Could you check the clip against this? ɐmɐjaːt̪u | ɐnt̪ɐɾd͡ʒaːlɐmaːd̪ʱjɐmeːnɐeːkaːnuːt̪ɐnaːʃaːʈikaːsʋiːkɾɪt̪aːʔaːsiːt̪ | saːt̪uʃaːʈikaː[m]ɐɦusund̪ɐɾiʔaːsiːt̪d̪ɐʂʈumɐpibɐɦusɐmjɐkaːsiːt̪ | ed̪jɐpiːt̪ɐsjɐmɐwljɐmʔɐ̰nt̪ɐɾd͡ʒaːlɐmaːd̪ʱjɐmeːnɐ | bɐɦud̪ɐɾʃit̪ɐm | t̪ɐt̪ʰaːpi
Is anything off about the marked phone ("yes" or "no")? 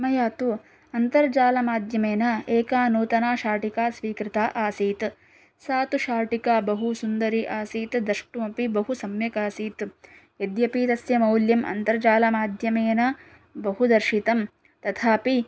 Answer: yes